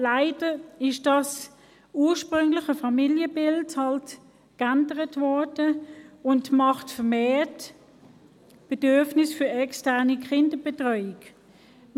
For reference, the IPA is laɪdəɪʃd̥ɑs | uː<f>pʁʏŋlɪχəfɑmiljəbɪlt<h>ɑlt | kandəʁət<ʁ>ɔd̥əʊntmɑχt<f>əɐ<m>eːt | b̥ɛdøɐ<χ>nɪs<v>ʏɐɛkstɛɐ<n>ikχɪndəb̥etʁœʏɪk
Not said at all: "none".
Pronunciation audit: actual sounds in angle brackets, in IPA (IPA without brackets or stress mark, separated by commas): ʃ, h, v, f, m, f, f, n